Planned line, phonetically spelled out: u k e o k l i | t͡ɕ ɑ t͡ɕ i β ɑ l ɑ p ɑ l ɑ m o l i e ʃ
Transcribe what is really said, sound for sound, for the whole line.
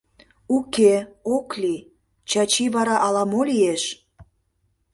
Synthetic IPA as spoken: u k e o k l i | t͡ɕ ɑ t͡ɕ i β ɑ ɾ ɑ ʔ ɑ l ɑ m o l i e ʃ